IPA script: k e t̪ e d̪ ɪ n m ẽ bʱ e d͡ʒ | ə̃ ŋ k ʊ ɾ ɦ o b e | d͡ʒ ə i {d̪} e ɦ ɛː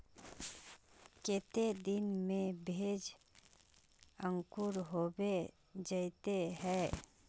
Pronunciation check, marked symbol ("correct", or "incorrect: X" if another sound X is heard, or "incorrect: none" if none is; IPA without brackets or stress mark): incorrect: t̪